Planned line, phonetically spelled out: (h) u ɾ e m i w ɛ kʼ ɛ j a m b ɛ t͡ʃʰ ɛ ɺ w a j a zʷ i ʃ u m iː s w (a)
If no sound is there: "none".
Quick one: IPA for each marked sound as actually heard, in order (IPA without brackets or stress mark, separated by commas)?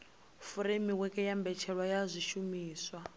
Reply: f, a